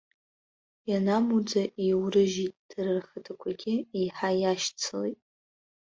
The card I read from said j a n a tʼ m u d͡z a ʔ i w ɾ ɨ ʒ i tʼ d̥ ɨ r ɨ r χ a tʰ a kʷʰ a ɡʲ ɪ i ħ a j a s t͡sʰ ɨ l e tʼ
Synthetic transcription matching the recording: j a n a m u d͡z a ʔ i w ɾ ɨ ʒ i tʼ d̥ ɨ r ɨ r χ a tʰ a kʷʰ a ɡʲ ɪ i ħ a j a ʃ t͡sʰ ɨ l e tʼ